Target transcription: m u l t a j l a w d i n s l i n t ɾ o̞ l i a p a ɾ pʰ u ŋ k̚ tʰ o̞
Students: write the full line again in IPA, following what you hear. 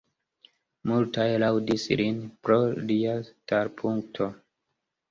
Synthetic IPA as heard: m u l t a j l a w d i s l i n p ɾ o̞ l i a t a ɾ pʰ u ŋ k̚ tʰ o̞

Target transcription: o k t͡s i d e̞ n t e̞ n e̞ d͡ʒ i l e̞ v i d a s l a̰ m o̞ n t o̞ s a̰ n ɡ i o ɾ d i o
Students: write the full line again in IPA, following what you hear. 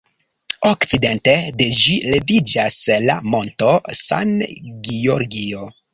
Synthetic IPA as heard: o k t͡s i d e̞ n t e̞ d e̞ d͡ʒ i l e̞ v i d͡ʒ a s l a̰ m o̞ n t o̞ s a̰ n ɡ i o ɾ ɡ i o

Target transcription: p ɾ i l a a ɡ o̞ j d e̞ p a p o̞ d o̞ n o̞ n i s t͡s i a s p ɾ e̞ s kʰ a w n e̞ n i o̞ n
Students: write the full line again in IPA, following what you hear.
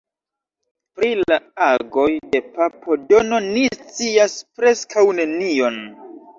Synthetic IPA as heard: p ɾ i l a a ɡ o̞ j d e̞ p a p o̞ d o̞ n o̞ n i s t͡s i a s p ɾ e̞ s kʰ a w n e̞ n i o̞ n

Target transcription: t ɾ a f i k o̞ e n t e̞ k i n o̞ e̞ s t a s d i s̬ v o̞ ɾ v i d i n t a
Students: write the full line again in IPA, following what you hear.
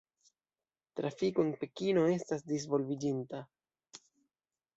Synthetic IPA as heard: t ɾ a f i k o̞ e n p e̞ k i n o̞ e̞ s t a s d i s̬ v o̞ l v i d͡ʒ i n t a

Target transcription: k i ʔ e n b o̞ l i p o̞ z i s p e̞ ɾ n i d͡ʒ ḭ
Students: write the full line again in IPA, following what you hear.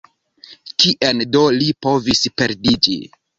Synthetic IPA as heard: k i ʔ e n d o̞ l i p o̞ v i s p e̞ ɾ d i d͡ʒ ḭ

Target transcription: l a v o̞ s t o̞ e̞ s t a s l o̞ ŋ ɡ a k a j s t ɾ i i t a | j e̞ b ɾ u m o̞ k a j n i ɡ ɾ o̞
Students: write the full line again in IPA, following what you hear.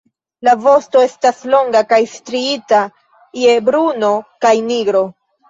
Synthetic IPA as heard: l a v o̞ s t o̞ e̞ s t a s l o̞ ŋ ɡ a k a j s t ɾ i i t a | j e̞ b ɾ u n o̞ k a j n i ɡ ɾ o̞

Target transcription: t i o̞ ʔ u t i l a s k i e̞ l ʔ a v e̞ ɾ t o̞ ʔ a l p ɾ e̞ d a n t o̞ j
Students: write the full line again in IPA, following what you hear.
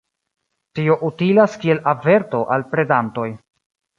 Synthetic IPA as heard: t i o̞ ʔ u t i l a s k i e̞ l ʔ a v e̞ ɾ t o̞ ʔ a l p ɾ e̞ d a n t o̞ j

